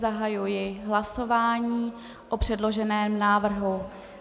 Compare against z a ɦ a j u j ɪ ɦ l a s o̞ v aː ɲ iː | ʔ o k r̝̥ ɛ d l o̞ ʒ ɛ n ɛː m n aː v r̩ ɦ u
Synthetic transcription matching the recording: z a ɦ a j u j ɪ ɦ l a s o̞ v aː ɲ iː | ʔ o p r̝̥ ɛ d l o̞ ʒ ɛ n ɛː m n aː v r̩ ɦ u